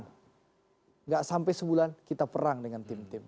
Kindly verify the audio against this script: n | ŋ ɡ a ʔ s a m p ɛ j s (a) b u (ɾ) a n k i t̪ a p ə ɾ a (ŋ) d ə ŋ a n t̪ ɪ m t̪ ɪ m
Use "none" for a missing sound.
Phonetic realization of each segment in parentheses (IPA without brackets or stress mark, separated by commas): ə, l, ŋ